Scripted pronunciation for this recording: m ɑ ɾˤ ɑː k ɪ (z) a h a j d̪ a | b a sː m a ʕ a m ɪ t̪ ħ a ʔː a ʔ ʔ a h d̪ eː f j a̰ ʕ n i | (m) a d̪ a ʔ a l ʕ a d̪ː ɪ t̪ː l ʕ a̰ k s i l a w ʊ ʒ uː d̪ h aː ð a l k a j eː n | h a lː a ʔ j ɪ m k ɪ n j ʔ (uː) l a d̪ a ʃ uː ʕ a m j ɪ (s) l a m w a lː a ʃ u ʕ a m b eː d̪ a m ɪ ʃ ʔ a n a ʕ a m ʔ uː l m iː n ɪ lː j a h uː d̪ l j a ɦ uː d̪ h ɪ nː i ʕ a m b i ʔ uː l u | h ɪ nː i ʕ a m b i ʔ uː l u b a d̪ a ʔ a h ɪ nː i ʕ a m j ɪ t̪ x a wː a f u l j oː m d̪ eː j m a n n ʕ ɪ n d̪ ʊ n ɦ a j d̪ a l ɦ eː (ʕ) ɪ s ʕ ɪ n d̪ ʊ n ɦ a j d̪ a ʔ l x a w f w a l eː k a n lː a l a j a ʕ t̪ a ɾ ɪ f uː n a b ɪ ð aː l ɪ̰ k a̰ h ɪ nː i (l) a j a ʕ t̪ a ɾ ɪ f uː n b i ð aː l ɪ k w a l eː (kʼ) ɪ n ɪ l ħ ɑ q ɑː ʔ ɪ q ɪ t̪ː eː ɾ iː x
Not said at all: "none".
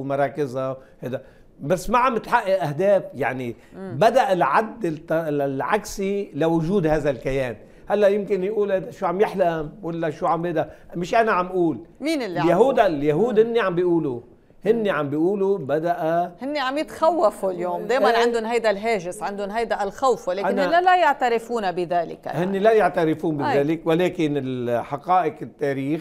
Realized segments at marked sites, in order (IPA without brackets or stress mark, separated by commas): z, b, uː, ħ, ʒ, l, k